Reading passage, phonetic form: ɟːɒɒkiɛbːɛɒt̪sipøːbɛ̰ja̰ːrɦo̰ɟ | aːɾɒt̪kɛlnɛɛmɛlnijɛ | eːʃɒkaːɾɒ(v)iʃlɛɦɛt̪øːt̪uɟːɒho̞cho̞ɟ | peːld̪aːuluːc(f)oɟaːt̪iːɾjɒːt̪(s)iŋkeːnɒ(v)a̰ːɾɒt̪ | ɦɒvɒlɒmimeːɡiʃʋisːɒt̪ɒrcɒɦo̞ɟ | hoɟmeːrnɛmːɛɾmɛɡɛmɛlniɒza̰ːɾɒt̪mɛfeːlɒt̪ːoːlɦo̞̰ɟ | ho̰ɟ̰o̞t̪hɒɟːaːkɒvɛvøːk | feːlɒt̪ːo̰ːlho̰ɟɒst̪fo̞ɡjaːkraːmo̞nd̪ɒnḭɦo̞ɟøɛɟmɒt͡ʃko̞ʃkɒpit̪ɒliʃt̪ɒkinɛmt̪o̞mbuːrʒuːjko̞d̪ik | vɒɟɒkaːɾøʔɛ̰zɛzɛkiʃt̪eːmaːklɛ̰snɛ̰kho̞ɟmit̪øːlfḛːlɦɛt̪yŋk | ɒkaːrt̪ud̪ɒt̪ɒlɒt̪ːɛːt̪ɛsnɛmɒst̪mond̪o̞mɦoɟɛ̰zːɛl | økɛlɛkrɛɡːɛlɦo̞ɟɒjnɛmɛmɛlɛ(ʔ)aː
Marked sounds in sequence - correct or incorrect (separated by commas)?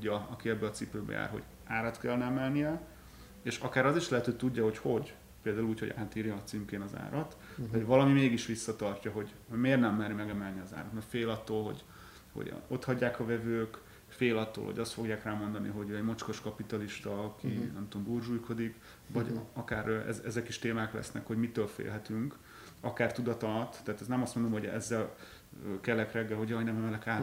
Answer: incorrect, incorrect, correct, incorrect, incorrect